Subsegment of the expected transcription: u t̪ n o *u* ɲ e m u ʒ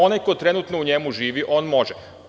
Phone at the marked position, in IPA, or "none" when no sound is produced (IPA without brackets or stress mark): u